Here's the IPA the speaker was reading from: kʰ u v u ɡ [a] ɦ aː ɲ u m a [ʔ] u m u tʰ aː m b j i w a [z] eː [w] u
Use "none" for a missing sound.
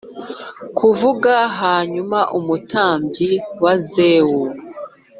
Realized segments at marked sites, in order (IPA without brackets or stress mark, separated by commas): a, ʔ, z, w